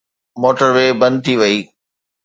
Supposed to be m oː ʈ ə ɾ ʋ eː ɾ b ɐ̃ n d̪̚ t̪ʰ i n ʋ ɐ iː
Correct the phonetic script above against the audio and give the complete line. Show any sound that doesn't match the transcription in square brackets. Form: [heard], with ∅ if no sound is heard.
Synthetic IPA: m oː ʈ ə ɾ ʋ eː [∅] b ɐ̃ n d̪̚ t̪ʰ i [∅] ʋ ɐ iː